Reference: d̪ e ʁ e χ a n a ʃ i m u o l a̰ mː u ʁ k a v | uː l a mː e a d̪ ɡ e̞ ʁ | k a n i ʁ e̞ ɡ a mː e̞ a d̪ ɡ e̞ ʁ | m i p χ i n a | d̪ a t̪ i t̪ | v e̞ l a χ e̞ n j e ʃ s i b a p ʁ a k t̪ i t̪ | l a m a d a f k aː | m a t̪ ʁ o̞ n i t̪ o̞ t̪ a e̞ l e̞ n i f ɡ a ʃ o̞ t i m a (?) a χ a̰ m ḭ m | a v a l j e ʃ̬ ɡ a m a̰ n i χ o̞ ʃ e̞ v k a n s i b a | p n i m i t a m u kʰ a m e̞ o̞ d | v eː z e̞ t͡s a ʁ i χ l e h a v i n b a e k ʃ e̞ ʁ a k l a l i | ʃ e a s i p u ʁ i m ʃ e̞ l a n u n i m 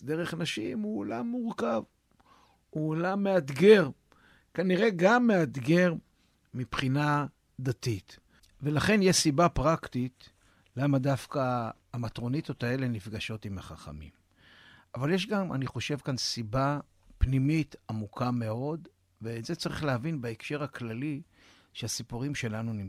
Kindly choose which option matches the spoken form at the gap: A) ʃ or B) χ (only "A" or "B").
B